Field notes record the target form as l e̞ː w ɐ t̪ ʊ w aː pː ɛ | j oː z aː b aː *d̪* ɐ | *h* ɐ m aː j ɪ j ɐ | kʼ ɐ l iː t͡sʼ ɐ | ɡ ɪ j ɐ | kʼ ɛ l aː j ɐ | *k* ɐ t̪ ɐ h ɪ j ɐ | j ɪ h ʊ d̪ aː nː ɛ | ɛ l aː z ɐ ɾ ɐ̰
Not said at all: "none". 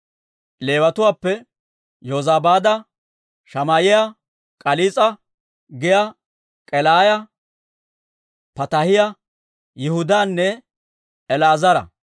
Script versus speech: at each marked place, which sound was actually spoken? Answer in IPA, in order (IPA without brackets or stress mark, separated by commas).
d̪, ʃ, p